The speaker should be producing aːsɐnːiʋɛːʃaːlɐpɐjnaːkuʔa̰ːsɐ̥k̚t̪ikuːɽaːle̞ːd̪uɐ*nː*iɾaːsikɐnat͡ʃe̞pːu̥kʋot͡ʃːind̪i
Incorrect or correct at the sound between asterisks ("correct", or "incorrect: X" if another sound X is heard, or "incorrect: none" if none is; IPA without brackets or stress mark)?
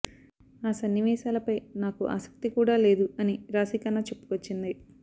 incorrect: n